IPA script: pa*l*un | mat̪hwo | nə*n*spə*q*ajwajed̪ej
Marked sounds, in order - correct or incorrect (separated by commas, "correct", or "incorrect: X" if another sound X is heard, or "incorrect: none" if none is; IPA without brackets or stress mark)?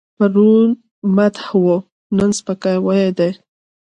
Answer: incorrect: ɾ, correct, incorrect: k